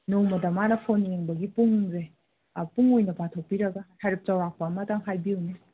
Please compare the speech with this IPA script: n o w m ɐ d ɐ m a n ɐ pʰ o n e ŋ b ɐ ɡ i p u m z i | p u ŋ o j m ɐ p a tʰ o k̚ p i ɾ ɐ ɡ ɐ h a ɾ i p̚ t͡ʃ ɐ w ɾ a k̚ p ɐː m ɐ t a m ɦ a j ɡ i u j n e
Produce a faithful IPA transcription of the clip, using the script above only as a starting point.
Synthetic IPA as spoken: n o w m ɐ d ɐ m a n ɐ pʰ o n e ŋ b ɐ ɡ i p u ŋ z e | p u ŋ o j n ɐ p a tʰ o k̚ p i ɾ ɐ ɡ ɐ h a ɾ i p̚ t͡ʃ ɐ w ɾ a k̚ p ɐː m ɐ t a ŋ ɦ a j b i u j n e